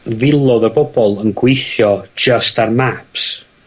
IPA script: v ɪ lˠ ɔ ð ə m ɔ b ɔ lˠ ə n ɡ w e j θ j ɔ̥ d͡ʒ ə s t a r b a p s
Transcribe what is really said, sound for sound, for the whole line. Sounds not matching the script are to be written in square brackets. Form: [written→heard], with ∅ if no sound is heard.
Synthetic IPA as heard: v ɪ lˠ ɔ ð ə [m→b] ɔ b ɔ lˠ ə n ɡ w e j θ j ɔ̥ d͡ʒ ə s t a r [b→m] a p s